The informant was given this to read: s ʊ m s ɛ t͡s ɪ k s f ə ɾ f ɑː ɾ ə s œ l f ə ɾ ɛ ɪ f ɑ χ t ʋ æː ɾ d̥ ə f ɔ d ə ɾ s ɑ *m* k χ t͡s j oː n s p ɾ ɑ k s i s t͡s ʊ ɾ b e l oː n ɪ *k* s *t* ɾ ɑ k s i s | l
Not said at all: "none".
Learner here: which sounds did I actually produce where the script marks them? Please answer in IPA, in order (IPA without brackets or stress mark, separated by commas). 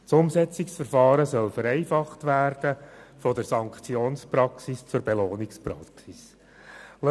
ŋ, k, p